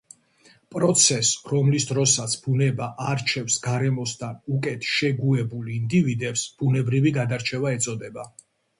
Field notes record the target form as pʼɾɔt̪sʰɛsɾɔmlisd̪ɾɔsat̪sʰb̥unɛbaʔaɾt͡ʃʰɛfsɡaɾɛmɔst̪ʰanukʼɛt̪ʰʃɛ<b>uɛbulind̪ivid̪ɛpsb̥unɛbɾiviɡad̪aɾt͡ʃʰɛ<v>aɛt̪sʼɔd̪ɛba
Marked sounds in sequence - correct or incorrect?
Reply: incorrect: ɡ, correct

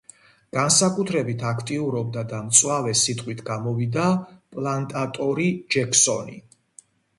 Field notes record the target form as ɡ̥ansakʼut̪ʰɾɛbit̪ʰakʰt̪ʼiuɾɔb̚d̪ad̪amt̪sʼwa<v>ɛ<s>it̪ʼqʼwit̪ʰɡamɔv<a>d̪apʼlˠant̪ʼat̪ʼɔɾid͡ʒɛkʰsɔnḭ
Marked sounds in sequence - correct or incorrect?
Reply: correct, correct, incorrect: i

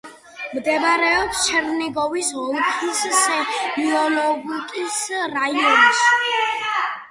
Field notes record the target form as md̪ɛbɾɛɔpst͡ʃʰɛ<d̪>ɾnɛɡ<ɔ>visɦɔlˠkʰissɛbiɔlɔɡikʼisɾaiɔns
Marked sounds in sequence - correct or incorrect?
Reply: incorrect: none, correct

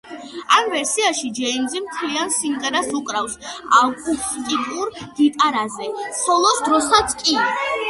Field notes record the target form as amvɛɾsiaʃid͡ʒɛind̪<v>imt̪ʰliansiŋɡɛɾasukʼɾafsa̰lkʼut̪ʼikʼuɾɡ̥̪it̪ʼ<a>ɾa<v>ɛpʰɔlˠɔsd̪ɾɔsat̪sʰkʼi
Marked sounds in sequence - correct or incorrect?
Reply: incorrect: z, correct, incorrect: z

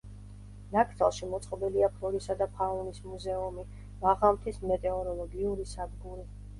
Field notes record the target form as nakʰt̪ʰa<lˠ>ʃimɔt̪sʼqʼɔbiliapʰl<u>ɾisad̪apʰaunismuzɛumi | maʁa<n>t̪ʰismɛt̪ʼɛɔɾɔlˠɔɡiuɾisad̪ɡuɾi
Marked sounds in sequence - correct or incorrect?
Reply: correct, incorrect: ɔ, incorrect: m

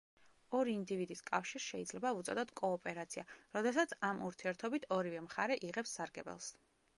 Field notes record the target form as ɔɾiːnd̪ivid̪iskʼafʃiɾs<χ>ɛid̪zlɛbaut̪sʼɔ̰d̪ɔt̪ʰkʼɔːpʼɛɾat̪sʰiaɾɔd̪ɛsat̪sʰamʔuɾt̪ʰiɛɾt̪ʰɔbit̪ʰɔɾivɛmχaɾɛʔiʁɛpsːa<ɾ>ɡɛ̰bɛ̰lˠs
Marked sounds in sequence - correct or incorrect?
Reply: incorrect: ʃ, correct

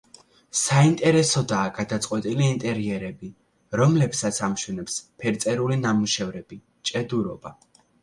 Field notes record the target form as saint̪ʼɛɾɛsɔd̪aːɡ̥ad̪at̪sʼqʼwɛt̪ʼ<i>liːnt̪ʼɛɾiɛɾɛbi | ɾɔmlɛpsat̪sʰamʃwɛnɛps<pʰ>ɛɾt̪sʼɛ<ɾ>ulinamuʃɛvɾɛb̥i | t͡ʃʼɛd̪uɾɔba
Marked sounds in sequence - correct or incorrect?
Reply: correct, correct, correct

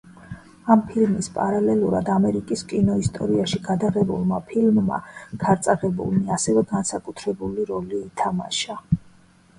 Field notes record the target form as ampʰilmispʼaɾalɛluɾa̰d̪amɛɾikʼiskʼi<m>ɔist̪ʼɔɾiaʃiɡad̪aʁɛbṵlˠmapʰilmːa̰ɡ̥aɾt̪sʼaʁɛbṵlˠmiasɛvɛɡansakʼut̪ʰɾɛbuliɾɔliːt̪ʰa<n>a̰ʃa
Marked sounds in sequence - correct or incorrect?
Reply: incorrect: n, incorrect: m

